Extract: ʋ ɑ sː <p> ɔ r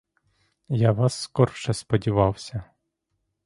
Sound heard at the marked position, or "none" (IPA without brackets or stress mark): k